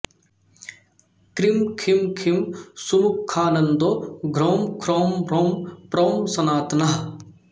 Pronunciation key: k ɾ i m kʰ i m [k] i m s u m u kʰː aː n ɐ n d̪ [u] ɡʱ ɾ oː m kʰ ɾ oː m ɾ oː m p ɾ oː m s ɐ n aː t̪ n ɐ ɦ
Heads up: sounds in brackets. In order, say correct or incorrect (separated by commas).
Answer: incorrect, incorrect